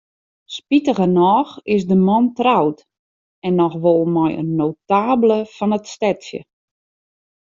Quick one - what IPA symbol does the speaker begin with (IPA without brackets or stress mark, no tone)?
s